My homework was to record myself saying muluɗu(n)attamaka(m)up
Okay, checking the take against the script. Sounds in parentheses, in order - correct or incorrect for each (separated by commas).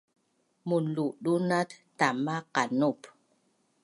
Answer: correct, incorrect